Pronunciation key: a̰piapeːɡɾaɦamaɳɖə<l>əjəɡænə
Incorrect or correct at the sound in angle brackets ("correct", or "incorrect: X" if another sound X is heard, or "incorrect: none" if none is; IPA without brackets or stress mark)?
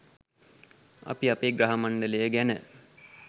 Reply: correct